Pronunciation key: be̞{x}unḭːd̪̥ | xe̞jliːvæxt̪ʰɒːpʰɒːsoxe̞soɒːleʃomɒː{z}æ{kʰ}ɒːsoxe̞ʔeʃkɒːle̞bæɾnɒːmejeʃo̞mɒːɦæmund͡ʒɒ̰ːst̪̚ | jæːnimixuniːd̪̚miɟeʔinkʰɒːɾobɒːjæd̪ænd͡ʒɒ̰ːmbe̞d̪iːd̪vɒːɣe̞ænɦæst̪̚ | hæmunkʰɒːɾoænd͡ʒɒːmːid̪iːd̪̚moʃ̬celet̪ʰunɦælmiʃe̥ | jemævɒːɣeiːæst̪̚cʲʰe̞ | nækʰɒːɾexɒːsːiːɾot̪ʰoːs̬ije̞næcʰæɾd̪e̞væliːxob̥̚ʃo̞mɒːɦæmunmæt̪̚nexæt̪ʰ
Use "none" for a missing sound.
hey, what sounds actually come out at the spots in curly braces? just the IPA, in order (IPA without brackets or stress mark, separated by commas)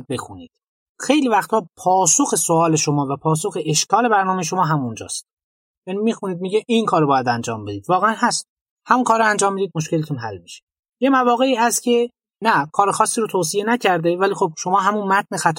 x, v, pʰ